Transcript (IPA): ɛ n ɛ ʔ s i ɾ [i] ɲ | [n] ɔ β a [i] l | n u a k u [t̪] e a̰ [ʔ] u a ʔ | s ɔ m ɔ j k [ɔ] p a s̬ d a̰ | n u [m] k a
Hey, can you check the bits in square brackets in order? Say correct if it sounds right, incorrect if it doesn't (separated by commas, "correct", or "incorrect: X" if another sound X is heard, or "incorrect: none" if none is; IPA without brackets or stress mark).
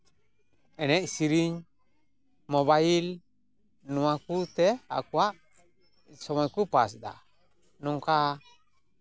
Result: correct, incorrect: m, correct, correct, incorrect: k, incorrect: u, incorrect: ŋ